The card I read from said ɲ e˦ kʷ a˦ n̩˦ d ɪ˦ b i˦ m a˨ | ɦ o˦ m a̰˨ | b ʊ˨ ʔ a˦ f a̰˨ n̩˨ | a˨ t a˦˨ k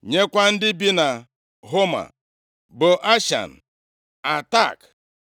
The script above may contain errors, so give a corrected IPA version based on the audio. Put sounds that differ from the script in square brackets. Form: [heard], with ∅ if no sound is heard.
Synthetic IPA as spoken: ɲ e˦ kʷ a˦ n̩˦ d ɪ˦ b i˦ [n] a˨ | ɦ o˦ m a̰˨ | b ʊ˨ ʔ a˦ [ʃ] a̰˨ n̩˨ | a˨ t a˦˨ k